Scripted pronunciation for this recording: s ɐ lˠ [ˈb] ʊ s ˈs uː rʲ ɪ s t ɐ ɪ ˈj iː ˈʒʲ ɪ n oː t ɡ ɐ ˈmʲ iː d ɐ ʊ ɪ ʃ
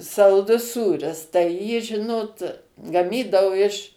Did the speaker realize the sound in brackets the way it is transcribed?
no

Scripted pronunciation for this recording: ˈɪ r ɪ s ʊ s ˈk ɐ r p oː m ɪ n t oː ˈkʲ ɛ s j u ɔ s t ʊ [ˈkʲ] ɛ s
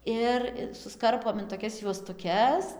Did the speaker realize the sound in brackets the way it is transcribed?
yes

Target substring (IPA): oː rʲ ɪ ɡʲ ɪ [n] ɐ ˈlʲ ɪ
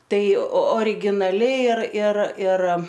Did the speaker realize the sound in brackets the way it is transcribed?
yes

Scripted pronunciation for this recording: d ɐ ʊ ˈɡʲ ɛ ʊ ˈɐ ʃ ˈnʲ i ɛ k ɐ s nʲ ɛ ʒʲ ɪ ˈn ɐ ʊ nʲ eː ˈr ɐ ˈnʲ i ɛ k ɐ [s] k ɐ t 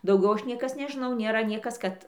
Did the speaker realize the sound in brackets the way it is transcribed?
yes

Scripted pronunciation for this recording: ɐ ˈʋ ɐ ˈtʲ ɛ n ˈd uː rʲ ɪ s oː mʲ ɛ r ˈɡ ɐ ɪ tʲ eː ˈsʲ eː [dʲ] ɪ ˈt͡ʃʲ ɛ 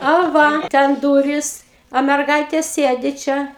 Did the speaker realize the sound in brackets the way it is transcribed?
yes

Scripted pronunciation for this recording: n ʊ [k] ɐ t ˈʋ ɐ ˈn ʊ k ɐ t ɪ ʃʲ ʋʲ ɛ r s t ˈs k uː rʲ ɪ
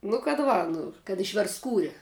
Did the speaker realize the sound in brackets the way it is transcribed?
yes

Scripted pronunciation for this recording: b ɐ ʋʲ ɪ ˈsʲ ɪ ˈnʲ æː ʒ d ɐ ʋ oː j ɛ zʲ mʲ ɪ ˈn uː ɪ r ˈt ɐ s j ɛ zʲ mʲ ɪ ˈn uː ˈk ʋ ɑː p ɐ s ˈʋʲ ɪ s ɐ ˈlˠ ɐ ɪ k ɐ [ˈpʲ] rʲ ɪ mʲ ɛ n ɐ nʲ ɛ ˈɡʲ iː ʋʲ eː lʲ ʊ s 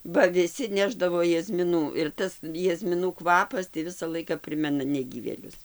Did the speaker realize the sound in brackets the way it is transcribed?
yes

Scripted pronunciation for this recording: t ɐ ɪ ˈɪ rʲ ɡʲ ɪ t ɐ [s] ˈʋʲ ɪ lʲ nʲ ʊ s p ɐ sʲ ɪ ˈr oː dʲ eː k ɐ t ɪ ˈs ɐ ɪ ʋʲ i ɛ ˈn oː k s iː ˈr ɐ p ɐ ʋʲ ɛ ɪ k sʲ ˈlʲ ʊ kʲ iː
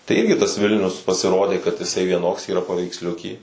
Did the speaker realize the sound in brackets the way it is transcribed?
yes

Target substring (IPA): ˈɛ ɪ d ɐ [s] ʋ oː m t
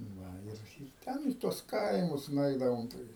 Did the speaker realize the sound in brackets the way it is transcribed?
no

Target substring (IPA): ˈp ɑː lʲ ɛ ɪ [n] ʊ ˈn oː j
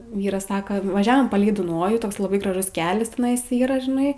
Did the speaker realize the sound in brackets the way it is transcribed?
no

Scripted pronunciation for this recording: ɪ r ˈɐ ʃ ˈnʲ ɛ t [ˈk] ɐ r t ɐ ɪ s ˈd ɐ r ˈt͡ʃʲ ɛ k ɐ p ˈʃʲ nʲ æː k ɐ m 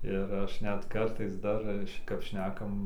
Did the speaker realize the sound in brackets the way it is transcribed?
yes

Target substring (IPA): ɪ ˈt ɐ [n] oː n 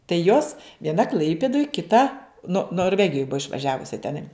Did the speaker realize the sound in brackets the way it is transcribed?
yes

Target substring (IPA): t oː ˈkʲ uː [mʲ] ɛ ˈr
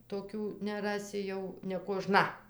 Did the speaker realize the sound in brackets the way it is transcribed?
no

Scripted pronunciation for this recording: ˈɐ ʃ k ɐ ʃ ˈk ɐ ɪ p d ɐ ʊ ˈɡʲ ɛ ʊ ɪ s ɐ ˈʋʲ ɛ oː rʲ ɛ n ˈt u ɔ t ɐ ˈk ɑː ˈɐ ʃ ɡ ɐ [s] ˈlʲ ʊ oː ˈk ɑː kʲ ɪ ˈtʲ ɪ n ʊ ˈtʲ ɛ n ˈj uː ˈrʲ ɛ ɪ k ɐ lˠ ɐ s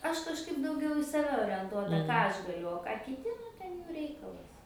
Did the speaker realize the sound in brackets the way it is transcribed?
no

